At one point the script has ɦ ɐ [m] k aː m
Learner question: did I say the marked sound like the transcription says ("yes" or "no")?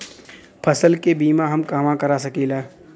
yes